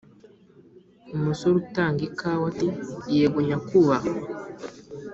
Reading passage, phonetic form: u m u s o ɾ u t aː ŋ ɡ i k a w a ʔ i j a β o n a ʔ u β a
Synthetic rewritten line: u m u s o ɾ u t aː ŋ ɡ i k a w a t i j e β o ɲ a k u β a